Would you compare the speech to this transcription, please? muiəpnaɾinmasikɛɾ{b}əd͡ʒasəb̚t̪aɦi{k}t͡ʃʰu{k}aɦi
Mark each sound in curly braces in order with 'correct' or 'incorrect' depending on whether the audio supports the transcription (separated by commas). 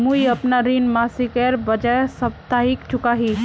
correct, correct, correct